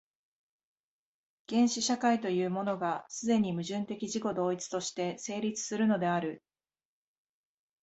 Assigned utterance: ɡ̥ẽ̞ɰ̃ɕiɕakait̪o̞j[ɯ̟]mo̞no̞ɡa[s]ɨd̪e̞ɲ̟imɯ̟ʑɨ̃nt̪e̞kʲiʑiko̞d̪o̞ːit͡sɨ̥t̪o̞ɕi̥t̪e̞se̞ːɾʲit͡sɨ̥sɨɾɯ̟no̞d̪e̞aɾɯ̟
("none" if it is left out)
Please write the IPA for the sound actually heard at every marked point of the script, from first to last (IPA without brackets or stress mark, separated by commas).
ɯ̟ː, s